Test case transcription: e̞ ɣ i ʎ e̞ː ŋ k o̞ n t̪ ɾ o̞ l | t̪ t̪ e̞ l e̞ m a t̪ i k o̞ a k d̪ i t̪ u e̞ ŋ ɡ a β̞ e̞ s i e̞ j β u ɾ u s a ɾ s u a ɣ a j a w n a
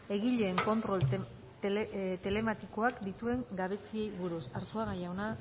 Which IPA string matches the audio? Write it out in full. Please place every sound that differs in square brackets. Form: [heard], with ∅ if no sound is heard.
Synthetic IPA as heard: e̞ ɣ i ʎ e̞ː ŋ k o̞ n t̪ ɾ o̞ l | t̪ t̪ e̞ l e̞ m a t̪ i k o̞ a k d̪ i t̪ u e̞ ŋ ɡ a β̞ e̞ s i e̞ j β u ɾ u s a ɾ s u a ɣ a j a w n a